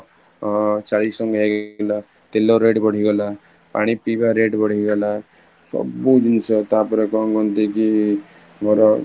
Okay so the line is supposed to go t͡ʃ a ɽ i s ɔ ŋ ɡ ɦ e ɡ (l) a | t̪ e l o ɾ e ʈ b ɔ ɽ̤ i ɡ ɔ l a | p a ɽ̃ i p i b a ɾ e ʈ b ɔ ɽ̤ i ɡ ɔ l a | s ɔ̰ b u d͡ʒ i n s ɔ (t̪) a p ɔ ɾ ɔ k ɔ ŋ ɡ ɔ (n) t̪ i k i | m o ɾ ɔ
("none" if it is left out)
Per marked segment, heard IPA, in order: l, t̪, n

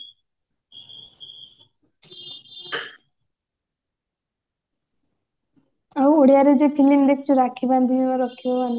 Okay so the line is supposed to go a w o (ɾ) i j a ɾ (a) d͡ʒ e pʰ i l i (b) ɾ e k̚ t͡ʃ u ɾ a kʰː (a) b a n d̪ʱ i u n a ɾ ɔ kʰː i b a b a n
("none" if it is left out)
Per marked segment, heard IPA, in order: ɽ, e, m, i

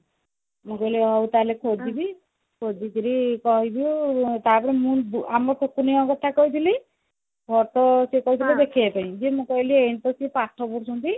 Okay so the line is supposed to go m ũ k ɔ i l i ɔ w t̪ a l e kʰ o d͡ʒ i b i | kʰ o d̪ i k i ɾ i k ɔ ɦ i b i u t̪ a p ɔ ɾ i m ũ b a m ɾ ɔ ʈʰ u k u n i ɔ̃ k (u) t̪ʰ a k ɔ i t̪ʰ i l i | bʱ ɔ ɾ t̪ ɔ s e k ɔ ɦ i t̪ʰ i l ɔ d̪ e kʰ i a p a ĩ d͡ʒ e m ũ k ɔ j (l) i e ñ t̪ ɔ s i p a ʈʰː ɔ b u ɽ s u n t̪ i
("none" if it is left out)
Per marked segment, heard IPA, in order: ɔ, l

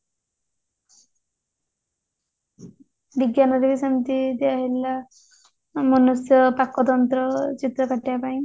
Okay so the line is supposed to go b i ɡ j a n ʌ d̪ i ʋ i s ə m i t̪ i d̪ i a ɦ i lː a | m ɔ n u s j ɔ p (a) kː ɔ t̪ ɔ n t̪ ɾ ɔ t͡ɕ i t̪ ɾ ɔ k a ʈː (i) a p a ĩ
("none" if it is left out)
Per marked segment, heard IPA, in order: a, j

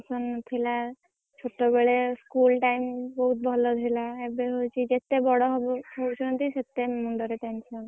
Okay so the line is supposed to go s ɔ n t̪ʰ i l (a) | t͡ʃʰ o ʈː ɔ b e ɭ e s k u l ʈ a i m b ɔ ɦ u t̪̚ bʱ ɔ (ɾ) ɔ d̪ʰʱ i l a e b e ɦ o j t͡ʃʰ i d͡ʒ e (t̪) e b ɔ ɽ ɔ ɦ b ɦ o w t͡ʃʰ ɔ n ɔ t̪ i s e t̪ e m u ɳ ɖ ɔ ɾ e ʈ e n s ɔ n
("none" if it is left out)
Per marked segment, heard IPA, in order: a, l, t̪

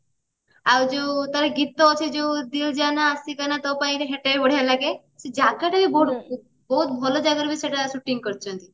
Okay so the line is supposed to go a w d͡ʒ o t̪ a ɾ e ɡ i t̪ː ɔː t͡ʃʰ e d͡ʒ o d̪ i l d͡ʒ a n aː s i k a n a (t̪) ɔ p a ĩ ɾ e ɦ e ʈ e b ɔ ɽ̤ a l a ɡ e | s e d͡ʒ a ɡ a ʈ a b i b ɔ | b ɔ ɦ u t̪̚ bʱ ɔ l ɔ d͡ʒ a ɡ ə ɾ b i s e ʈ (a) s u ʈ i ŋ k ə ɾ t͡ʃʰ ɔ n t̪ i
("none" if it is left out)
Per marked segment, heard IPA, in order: t̪, a

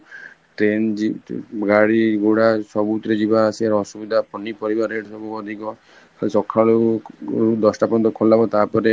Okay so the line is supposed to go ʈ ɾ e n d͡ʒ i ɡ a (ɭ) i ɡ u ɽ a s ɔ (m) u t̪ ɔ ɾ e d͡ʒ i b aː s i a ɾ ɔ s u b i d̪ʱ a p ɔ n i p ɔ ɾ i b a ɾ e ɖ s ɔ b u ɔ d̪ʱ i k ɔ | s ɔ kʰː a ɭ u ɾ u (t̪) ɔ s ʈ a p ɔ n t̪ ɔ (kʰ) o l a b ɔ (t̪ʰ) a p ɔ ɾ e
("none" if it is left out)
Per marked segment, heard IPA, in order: ɽ, b, d̪, kʰ, t̪

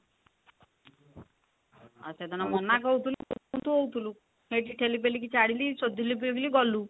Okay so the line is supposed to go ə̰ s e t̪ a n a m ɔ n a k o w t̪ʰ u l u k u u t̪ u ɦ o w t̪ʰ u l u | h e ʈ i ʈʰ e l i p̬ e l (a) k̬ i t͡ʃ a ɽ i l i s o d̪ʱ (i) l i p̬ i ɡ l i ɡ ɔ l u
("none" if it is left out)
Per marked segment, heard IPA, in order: i, i

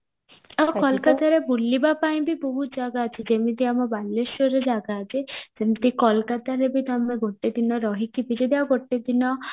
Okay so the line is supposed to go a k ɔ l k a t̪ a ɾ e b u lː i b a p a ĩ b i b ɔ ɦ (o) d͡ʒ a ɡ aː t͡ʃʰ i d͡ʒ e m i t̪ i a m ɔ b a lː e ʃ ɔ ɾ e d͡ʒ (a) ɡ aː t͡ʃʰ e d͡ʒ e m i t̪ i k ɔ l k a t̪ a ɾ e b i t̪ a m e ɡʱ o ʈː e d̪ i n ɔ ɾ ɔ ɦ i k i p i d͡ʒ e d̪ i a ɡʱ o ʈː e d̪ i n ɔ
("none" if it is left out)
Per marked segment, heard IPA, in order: u, a

